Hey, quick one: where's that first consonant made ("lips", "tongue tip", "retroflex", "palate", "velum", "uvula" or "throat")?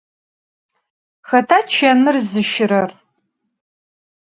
velum